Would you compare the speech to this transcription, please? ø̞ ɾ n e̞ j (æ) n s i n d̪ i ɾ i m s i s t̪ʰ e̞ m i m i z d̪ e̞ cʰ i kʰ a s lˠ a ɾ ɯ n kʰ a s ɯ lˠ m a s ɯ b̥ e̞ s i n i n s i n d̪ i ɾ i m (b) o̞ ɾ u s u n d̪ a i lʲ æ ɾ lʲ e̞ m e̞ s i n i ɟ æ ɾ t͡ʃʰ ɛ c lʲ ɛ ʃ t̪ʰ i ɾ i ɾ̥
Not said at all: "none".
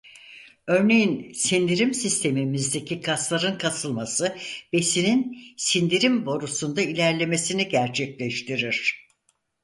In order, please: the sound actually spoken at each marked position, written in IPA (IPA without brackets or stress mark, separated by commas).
i, b